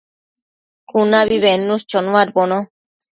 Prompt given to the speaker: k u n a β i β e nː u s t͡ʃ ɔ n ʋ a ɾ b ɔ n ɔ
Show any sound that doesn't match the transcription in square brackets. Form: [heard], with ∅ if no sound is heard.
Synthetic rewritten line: k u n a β i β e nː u s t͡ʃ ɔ n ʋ a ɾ b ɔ n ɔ